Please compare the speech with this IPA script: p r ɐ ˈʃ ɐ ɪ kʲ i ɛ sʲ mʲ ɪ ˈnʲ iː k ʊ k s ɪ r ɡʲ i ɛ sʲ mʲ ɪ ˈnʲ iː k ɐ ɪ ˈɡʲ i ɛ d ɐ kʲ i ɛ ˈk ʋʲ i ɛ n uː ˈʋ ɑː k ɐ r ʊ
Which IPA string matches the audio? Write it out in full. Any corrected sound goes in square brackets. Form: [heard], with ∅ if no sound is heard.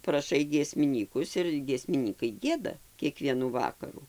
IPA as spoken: p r ɐ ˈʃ ɐ ɪ [ɡʲ] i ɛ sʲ mʲ ɪ ˈnʲ iː k ʊ [∅] s ɪ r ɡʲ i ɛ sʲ mʲ ɪ ˈnʲ iː k ɐ ɪ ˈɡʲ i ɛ d ɐ kʲ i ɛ ˈk ʋʲ i ɛ n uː ˈʋ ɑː k ɐ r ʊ

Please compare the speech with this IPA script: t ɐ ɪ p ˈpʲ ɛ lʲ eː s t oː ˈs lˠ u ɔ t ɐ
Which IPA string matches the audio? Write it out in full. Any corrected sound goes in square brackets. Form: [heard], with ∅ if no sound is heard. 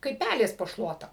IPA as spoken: [k] ɐ ɪ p ˈpʲ [æ] lʲ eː s [p] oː [ˈʃ] lˠ u ɔ t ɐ

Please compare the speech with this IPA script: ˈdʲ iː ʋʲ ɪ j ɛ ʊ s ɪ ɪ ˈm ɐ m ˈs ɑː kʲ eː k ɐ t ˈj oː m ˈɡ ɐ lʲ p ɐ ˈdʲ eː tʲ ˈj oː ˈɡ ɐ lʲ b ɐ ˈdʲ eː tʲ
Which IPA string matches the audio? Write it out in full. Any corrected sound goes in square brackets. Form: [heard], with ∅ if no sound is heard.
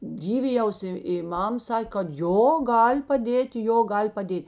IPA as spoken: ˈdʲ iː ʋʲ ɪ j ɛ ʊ s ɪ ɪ ˈm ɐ m ˈs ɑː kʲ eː k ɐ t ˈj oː [∅] ˈɡ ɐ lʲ p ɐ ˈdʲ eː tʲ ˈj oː ˈɡ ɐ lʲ [p] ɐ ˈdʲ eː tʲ

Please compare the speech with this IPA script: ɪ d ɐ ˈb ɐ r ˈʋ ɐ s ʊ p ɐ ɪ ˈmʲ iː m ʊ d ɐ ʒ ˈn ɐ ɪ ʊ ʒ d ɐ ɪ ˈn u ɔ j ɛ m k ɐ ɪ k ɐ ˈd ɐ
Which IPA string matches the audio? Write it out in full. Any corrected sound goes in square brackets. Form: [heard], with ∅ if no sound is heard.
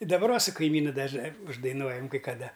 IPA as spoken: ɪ d ɐ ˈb ɐ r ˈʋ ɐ s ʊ [k] ɐ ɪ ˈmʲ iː [n] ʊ d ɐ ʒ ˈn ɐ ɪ ʊ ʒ d ɐ ɪ ˈn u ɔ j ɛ m k ɐ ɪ k ɐ ˈd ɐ

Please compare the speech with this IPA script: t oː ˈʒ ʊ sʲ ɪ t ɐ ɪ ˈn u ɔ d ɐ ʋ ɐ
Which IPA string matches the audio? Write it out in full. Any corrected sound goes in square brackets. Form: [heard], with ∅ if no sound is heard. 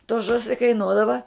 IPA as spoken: t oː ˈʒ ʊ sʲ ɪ [k] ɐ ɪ ˈn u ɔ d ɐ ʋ ɐ

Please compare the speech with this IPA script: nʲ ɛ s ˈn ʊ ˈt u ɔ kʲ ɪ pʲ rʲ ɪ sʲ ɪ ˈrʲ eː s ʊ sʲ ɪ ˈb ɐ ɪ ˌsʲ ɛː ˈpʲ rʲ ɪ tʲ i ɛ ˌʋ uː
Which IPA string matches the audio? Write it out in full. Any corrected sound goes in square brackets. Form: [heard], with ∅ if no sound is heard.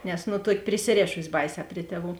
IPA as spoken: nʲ ɛ s ˈn ʊ ˈt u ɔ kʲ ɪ pʲ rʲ ɪ sʲ ɪ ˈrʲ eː [ʃ] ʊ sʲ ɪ ˈb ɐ ɪ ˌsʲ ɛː ˈpʲ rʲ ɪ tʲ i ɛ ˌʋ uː

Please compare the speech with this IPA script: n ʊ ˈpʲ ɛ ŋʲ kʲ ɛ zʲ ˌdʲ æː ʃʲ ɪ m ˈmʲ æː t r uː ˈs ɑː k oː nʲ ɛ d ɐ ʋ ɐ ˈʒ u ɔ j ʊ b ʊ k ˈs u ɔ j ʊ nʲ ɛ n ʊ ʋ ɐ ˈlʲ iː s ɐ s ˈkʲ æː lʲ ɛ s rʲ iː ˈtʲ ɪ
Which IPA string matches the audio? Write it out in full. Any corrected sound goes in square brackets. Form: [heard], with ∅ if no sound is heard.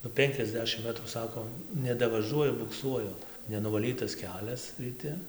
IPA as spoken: n ʊ ˈpʲ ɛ ŋʲ kʲ ɛ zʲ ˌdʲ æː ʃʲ ɪ m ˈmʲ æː t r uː ˈs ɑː k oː nʲ ɛ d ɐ ʋ ɐ ˈʒ u ɔ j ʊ b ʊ k ˈs u ɔ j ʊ nʲ ɛ n ʊ ʋ ɐ ˈlʲ iː [t] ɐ s ˈkʲ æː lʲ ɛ s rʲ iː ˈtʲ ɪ

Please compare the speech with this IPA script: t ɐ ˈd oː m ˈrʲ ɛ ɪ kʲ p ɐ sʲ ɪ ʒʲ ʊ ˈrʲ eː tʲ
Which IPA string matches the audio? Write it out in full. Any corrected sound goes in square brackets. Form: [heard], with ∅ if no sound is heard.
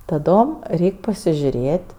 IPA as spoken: t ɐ ˈd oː m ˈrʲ ɛ ɪ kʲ p ɐ sʲ ɪ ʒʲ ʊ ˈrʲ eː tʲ

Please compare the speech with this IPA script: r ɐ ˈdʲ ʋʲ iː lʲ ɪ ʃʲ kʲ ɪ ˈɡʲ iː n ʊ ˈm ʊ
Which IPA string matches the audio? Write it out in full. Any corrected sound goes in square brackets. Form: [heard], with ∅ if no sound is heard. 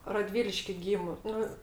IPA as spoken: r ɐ ˈdʲ ʋʲ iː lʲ ɪ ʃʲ kʲ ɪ ˈɡʲ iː [m] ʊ [ˈn] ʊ

